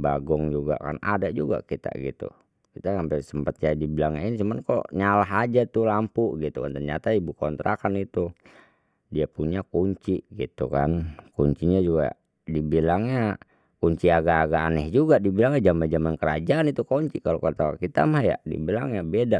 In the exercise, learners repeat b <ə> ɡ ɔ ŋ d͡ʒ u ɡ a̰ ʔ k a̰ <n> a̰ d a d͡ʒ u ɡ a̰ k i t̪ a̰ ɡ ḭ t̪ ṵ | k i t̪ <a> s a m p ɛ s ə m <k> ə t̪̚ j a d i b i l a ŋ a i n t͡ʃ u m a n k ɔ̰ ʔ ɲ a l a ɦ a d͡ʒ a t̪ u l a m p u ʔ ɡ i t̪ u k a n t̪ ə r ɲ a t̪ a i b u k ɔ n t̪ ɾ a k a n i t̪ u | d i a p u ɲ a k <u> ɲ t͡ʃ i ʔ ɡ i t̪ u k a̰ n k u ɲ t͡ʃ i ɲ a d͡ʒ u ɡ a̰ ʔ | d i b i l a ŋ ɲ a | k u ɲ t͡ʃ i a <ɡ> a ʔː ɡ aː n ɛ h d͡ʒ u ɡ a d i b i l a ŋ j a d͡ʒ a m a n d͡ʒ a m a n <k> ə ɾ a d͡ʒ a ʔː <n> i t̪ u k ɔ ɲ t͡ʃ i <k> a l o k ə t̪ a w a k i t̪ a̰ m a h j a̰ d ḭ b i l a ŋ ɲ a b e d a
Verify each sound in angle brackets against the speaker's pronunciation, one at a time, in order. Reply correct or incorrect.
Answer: incorrect: a, correct, correct, incorrect: p, correct, correct, correct, correct, correct

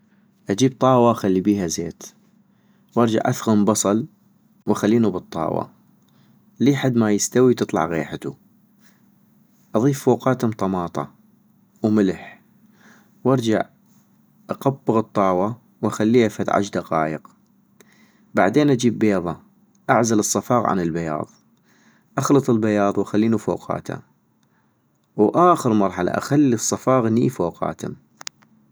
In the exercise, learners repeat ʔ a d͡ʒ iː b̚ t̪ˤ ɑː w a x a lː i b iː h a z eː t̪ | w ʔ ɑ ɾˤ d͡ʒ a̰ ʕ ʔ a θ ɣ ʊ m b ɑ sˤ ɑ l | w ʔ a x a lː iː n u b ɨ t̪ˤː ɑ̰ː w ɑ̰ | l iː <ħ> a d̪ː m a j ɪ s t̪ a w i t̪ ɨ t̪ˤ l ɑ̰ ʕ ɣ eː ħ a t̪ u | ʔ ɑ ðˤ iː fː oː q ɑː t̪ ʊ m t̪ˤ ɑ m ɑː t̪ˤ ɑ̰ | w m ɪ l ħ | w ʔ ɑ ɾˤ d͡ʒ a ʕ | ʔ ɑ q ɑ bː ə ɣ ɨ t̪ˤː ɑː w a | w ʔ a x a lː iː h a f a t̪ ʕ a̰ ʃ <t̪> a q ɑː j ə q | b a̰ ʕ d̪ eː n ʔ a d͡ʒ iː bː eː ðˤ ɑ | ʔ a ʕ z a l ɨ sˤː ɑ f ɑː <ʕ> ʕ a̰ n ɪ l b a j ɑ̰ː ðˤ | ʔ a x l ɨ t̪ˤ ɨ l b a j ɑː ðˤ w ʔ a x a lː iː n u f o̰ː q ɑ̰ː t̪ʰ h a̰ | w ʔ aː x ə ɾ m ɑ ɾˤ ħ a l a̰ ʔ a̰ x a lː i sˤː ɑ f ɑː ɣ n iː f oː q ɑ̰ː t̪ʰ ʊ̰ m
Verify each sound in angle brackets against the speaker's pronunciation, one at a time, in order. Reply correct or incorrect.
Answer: correct, incorrect: d̪, incorrect: ɣ

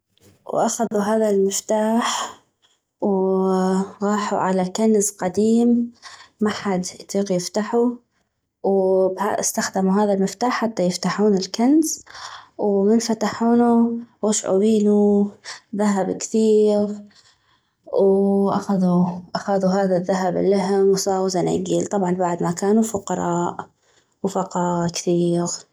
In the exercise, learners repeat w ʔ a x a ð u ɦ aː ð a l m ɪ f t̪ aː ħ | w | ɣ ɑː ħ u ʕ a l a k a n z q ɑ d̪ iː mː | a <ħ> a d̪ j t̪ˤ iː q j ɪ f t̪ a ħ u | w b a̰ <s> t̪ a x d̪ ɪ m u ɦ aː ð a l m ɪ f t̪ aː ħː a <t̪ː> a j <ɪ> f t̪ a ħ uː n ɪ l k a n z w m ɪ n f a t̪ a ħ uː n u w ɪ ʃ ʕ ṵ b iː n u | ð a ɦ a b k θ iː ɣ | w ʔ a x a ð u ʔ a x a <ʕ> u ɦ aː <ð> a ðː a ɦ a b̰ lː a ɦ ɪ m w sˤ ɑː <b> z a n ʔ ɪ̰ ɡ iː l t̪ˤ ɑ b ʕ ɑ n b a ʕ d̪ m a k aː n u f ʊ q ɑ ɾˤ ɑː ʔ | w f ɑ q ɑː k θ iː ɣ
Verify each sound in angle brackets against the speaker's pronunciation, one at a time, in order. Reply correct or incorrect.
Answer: correct, correct, correct, correct, incorrect: ð, correct, incorrect: w

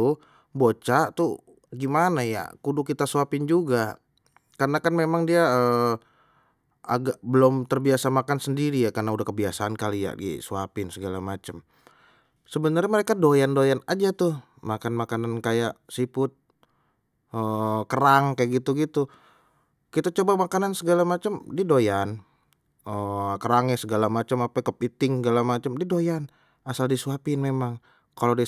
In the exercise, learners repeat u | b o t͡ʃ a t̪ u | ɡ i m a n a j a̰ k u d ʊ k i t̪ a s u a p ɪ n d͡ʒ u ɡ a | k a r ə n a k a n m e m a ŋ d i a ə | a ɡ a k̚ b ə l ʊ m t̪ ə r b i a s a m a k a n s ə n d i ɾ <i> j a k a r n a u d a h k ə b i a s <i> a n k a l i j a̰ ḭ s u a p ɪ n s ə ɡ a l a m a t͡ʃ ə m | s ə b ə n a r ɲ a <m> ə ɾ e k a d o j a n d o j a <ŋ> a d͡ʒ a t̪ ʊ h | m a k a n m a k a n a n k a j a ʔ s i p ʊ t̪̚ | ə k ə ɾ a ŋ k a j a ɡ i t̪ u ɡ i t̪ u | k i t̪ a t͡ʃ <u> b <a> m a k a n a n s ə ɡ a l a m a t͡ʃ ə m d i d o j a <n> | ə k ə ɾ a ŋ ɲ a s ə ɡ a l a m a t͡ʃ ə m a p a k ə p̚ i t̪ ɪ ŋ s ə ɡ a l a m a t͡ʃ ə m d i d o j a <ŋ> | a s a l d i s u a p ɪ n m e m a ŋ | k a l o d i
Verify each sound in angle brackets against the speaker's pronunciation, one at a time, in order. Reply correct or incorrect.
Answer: correct, incorrect: a, correct, incorrect: n, incorrect: o, correct, correct, incorrect: n

